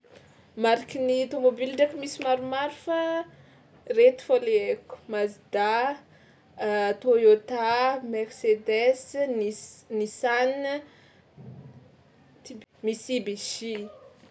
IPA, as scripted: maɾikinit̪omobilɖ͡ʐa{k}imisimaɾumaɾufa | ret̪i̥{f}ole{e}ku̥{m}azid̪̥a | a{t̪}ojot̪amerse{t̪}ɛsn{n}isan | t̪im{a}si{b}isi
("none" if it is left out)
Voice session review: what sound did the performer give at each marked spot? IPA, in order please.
k, f, e, m, t̪, d̪, n, i, b

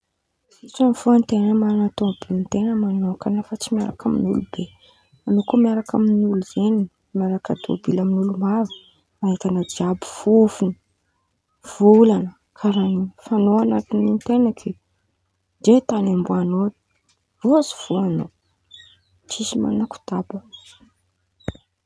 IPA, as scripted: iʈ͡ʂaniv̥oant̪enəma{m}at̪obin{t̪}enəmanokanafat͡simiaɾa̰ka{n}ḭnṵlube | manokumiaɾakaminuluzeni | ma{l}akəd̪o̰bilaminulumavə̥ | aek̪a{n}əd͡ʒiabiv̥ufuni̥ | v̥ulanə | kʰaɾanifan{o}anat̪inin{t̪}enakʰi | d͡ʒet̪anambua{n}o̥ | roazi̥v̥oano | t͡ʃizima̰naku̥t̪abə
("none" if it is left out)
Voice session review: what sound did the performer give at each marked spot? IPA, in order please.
n, t̪, m, ɾ, n, o, t̪, n

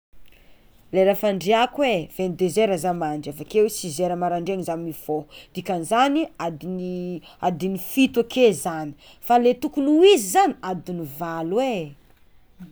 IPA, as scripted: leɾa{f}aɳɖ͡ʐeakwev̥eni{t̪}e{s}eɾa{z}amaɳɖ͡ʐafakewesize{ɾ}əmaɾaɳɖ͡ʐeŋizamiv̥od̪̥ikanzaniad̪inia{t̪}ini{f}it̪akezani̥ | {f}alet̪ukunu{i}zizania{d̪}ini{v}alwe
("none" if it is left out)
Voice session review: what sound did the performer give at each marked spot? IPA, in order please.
f, d̪, z, z, ɾ, d̪, f, f, i, d̪, v

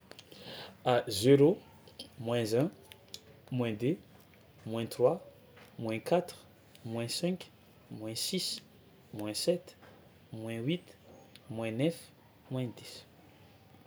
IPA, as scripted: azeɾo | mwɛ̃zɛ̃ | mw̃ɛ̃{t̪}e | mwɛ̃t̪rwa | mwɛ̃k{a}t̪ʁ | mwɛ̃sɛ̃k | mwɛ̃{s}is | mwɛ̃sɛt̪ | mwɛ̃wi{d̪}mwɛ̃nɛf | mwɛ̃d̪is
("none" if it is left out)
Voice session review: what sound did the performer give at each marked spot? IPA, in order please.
d̪, a, s, t̪

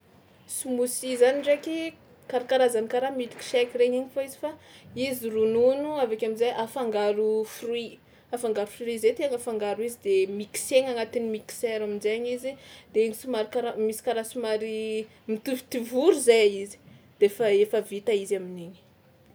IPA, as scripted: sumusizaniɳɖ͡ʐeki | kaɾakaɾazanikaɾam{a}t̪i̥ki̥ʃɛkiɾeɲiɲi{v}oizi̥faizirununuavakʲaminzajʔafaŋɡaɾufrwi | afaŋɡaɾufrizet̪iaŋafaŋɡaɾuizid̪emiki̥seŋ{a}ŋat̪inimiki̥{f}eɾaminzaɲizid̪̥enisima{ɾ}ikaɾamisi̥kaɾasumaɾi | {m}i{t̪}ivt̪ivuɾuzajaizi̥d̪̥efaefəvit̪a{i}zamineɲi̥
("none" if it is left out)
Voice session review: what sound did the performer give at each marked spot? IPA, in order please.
i, f, a, s, ɾ, m, t̪, i

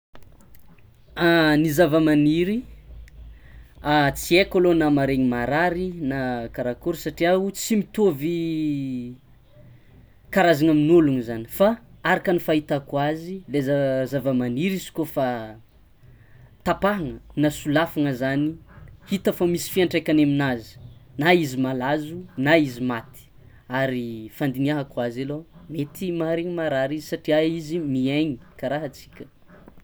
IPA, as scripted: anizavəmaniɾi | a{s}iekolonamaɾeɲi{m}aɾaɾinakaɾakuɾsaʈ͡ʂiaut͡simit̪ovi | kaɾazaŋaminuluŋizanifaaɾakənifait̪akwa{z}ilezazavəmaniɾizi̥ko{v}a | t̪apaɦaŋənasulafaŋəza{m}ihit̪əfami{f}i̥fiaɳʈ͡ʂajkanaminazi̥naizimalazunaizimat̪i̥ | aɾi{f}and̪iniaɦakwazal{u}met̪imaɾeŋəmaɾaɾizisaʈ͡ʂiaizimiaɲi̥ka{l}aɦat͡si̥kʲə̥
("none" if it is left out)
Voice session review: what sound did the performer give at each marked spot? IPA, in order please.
t͡s, m, z, f, n, s, f, o, ɾ

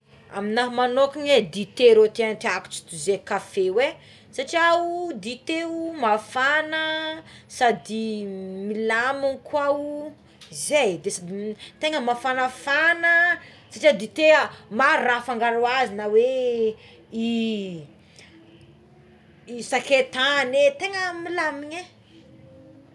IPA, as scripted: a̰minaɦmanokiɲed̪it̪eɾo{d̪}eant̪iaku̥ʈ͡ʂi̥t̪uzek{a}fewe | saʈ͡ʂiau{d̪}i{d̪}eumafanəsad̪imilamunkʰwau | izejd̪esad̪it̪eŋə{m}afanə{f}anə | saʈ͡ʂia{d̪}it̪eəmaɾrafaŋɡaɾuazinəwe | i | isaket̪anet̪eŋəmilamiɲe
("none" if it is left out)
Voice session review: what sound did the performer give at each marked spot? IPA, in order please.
t̪, a, d̪, t̪, m, f, d̪

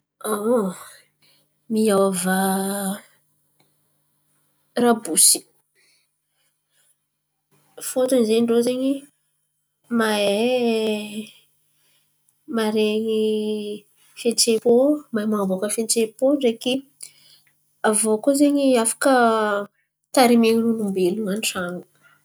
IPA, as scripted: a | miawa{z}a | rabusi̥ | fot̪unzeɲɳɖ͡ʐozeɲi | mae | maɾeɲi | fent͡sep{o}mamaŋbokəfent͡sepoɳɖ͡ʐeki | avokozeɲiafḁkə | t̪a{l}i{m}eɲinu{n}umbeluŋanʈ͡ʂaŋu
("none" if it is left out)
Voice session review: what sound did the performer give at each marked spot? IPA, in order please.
v, o, ɾ, m, n

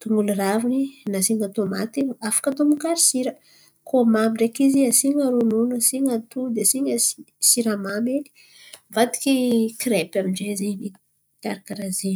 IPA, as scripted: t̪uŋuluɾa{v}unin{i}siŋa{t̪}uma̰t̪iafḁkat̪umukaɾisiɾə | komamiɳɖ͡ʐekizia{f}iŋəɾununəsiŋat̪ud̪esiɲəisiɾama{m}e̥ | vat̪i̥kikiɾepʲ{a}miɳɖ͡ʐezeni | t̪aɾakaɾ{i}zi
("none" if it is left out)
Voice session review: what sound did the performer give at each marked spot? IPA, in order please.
v, a, t̪, s, m, a, a

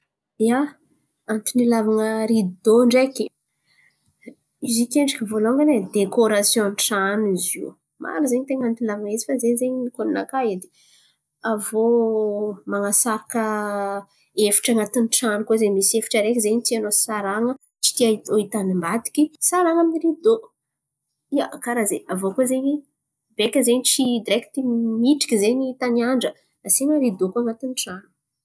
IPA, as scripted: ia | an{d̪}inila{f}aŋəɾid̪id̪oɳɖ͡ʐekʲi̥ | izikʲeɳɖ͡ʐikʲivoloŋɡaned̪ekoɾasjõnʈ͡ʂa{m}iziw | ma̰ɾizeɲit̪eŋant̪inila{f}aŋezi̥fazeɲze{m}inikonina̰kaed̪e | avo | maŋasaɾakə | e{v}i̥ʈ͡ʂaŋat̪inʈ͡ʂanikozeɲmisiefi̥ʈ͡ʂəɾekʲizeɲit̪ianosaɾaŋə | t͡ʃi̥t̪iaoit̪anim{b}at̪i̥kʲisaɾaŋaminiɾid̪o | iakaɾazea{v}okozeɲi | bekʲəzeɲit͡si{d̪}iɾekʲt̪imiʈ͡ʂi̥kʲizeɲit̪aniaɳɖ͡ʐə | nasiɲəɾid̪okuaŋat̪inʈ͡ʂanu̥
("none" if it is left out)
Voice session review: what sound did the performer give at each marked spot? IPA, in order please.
t̪, v, n, v, ɲ, f, b, v, d̪

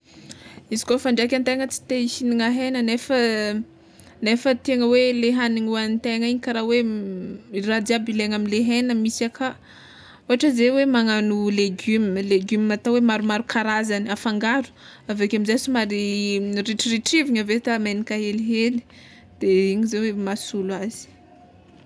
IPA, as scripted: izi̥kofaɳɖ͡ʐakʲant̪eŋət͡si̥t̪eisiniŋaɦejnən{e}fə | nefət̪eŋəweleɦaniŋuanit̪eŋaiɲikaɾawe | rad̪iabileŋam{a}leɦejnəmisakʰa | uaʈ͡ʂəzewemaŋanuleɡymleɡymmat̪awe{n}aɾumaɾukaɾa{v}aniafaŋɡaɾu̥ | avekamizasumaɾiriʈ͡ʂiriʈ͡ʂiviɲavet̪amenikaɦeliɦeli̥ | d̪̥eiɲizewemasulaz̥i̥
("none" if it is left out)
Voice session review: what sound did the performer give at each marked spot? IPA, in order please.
e, i, m, z

